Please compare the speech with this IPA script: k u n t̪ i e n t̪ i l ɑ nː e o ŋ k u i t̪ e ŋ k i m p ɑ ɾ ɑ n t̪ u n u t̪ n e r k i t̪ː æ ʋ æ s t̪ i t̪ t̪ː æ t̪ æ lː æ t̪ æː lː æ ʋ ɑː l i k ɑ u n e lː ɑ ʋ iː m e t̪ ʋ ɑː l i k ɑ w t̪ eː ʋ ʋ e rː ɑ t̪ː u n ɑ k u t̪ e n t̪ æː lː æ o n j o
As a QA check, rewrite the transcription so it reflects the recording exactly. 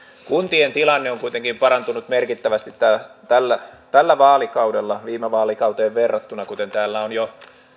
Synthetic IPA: k u n t̪ i e n t̪ i l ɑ nː e o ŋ k u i t̪ e ŋ k i m p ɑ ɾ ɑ n t̪ u n u t̪ m e r k i t̪ː æ ʋ æ s t̪ i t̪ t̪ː æ t̪ æ lː æ t̪ æ lː æ ʋ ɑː l i k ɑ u d e lː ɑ ʋ iː m e ʋ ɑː l i k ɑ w t̪ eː ʋ ʋ e rː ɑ t̪ː u n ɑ k u t̪ e n t̪ æː lː æ o n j o